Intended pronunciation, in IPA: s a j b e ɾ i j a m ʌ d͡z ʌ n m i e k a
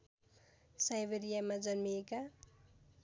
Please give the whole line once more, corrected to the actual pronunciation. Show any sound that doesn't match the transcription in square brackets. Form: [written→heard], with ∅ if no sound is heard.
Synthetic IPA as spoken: s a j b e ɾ i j a m [ʌ→a] d͡z ʌ n m i e k a